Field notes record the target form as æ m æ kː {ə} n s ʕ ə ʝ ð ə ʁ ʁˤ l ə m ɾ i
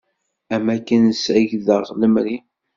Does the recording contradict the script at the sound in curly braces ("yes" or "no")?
no